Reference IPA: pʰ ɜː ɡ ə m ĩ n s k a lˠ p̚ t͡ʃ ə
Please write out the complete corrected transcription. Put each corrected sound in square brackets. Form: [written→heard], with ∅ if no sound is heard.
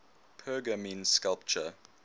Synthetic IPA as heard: pʰ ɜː ɡ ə m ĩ n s k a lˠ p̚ t͡ʃ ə